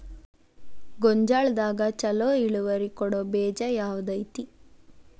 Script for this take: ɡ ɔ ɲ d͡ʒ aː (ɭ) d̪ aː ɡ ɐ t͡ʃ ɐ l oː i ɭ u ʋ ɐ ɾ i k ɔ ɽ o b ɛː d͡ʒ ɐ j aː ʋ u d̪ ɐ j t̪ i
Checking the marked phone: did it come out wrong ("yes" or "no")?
no